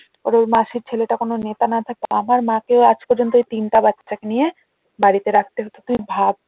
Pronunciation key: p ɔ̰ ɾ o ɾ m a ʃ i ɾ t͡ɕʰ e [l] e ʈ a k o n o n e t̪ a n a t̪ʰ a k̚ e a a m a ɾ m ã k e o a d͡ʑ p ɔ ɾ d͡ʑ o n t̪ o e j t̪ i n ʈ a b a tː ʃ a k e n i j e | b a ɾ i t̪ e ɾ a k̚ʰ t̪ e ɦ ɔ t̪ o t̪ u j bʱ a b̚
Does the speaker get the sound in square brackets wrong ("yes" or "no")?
no